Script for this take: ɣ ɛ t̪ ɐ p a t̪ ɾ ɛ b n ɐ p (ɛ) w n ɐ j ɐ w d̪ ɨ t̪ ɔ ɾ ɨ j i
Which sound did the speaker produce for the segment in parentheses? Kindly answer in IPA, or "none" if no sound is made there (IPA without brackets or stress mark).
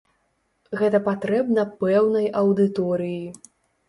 ɛ